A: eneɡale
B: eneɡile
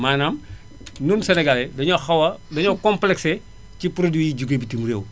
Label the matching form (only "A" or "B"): A